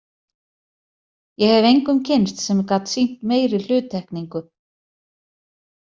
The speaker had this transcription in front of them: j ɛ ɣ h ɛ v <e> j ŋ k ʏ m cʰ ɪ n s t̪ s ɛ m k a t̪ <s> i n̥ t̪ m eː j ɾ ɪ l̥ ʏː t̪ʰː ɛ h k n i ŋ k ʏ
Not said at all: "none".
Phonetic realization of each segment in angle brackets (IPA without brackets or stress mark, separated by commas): e, s